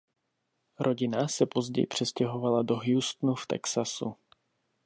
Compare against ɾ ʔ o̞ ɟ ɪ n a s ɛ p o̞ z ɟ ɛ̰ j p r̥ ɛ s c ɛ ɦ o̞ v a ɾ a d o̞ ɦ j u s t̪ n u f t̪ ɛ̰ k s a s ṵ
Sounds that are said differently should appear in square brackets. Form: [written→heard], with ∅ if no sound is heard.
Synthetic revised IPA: ɾ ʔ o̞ ɟ ɪ n a s ɛ p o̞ z ɟ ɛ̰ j p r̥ ɛ s c ɛ ɦ o̞ v a [ɾ→l] a d o̞ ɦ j u s t̪ n u f t̪ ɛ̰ k s a s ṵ